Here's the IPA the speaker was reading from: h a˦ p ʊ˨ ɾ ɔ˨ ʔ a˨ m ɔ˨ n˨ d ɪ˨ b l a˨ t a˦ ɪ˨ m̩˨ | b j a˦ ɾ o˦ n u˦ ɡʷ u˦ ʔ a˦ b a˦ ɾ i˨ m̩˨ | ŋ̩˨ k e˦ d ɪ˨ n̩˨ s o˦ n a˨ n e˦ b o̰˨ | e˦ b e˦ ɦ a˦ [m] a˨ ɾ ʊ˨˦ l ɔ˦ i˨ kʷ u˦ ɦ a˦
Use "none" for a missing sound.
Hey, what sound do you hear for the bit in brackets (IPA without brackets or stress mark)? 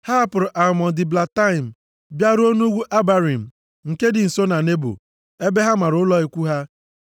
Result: m